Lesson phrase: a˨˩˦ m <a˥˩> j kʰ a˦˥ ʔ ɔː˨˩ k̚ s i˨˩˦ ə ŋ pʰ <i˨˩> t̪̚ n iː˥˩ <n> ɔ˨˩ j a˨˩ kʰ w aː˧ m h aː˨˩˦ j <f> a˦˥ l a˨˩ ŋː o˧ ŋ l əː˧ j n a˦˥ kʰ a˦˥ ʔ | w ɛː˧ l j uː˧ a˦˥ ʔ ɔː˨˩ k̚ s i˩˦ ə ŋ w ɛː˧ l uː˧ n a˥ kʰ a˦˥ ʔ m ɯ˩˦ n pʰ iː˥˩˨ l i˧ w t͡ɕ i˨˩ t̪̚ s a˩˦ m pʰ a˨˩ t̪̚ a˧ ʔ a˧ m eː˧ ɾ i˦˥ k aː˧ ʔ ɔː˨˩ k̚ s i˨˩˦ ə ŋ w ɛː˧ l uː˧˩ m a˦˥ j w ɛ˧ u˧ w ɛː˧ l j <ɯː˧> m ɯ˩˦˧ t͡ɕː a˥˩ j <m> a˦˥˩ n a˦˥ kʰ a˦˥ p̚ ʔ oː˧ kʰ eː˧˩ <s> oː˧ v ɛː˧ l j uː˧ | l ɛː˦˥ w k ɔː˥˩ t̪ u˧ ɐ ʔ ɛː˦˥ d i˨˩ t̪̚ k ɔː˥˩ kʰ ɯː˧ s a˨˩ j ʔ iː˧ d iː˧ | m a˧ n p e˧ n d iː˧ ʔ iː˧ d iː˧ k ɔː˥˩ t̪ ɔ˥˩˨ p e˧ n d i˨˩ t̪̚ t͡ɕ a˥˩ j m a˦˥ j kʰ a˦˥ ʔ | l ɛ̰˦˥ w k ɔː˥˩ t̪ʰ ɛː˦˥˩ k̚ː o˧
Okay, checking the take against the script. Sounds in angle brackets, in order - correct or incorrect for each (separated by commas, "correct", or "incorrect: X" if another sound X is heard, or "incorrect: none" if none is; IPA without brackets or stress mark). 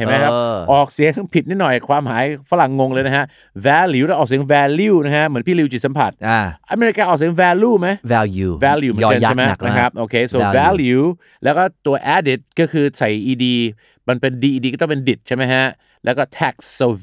incorrect: a˦˥, correct, correct, correct, incorrect: uː˧, correct, correct